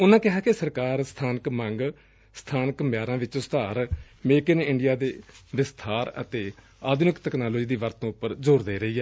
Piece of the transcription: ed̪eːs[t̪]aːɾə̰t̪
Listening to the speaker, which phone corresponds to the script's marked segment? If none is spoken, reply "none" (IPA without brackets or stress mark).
t̪ʰ